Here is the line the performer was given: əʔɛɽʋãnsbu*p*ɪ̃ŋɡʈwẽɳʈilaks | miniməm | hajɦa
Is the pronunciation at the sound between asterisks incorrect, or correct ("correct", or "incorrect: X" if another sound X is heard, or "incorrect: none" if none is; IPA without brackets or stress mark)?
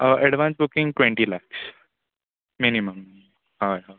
incorrect: k